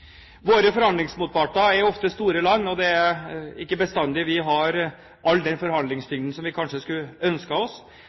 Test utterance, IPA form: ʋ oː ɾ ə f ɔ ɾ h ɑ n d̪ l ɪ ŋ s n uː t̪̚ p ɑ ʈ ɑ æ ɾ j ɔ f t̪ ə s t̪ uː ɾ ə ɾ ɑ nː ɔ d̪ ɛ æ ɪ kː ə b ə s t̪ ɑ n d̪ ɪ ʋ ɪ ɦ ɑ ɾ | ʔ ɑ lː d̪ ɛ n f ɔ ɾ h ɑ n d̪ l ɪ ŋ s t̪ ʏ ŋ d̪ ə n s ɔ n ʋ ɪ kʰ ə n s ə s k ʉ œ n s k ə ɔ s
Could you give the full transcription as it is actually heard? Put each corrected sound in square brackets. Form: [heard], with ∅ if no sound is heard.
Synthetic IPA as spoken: ʋ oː ɾ ə f ɔ ɾ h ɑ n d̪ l ɪ ŋ s [m] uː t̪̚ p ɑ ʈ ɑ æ ɾ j ɔ f t̪ ə s t̪ uː ɾ ə [l] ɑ nː ɔ d̪ ɛ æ ɪ kː ə b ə s t̪ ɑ n d̪ ɪ ʋ ɪ ɦ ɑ ɾ | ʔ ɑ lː d̪ ɛ n f ɔ ɾ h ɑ n d̪ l ɪ ŋ s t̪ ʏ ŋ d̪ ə n s ɔ [m] ʋ ɪ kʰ [ɑ] n [ʂ] ə s k ʉ œ n s k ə ɔ s

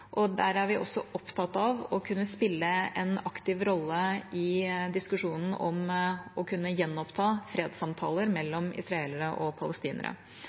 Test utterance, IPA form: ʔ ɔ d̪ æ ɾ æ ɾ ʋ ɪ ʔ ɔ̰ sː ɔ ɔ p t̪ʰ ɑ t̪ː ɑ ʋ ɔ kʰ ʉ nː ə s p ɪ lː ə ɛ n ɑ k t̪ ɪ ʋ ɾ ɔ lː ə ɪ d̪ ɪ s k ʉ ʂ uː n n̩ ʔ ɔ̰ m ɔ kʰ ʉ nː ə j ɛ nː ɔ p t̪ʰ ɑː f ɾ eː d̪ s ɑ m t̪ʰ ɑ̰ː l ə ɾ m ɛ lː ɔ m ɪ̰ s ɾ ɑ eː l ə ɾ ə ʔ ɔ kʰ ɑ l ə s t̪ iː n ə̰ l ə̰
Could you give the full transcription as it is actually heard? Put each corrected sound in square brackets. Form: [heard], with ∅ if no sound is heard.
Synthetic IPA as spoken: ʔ ɔ d̪ æ ɾ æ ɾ ʋ ɪ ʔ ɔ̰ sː ɔ ɔ p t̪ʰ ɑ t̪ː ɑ ʋ ɔ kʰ ʉ nː ə s p ɪ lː ə ɛ n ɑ k t̪ ɪ ʋ ɾ ɔ lː ə ɪ d̪ ɪ s k ʉ ʂ uː n n̩ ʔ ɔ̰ m ɔ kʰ ʉ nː ə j ɛ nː ɔ p t̪ʰ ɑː f ɾ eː d̪ s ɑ m t̪ʰ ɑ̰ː l ə ɾ m ɛ lː ɔ m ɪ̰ s ɾ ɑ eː l ə ɾ ə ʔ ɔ [pʰ] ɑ l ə s t̪ iː n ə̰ [ɾ] ə̰

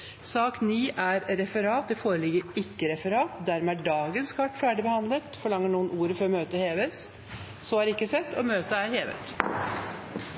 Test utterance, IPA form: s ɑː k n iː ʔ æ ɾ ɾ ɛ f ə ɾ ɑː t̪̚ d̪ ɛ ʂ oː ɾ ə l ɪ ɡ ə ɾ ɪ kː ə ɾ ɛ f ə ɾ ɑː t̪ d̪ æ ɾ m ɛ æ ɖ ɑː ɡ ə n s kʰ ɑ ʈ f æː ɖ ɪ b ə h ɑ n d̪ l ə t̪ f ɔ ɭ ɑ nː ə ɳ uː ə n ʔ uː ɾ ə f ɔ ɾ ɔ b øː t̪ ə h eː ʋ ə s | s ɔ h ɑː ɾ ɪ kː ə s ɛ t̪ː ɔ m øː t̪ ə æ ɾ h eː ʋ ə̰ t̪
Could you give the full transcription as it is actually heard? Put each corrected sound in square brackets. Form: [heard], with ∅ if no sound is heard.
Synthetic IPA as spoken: s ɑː k n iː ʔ æ ɾ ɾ ɛ f ə ɾ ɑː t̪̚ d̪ ɛ [f] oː ɾ ə l ɪ ɡ ə ɾ ɪ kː ə ɾ ɛ f ə ɾ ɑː t̪ d̪ æ ɾ m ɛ æ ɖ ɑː ɡ ə n s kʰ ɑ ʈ f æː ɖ ɪ b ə h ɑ n d̪ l ə t̪ f ɔ ɭ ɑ [ŋː] ə ɳ uː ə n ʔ uː ɾ ə f ɔ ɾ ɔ [m] øː t̪ ə h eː ʋ ə s | s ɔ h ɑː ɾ ɪ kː ə s ɛ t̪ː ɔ m øː t̪ ə æ ɾ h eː ʋ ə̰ t̪

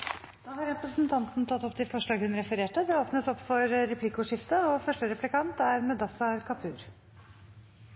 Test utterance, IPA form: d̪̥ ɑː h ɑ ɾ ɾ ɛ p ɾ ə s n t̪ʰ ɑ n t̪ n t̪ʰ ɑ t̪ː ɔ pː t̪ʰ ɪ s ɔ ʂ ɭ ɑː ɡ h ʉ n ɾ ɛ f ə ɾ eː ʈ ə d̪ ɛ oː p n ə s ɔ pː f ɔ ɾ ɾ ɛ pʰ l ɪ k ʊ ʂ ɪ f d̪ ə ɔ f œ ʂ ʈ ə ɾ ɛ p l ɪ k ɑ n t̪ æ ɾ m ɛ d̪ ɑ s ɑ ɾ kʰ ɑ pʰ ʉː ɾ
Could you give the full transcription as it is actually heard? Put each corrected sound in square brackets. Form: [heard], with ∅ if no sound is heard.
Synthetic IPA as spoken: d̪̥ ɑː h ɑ ɾ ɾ ɛ p ɾ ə s n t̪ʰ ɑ n t̪ n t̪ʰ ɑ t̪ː ɔ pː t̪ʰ ɪ [f] ɔ ʂ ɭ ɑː ɡ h ʉ n ɾ ɛ f ə ɾ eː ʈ ə d̪ ɛ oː p n ə s ɔ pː f ɔ ɾ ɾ ɛ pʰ l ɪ k ʊ ʂ ɪ f [t̪] ə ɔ f œ ʂ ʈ ə ɾ ɛ p l ɪ k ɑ n t̪ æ ɾ m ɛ d̪ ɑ s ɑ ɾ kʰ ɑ pʰ ʉː ɾ

